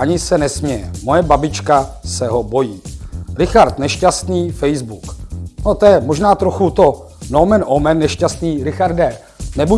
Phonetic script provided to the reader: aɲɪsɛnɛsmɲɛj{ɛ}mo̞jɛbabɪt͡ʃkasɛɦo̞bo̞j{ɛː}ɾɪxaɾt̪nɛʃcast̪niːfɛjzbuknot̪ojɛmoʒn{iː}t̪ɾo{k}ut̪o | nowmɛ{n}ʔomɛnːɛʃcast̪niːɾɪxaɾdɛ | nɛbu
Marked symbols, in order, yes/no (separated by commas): yes, no, no, no, yes